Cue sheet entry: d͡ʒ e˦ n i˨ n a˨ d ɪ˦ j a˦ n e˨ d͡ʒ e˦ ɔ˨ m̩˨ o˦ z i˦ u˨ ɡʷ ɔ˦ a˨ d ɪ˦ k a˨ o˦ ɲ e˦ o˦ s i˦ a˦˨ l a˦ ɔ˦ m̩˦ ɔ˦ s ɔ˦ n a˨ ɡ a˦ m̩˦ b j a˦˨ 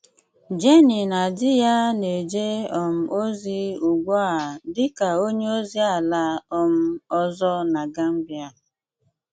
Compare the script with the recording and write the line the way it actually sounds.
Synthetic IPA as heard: d͡ʒ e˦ n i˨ n a˨ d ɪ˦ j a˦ n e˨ d͡ʒ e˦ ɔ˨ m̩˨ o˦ z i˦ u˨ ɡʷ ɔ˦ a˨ d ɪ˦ k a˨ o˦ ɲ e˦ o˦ z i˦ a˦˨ l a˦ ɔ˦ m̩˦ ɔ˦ z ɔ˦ n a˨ ɡ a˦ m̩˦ b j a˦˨